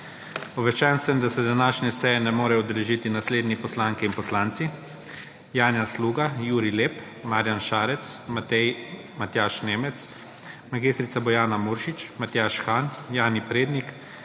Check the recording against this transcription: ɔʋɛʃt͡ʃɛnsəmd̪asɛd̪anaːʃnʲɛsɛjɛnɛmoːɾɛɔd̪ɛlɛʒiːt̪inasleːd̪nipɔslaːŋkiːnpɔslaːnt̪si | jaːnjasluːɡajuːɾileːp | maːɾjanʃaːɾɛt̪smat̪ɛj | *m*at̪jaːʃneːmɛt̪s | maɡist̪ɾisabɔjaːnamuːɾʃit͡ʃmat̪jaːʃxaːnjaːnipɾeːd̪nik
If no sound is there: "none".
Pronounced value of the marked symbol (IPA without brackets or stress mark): m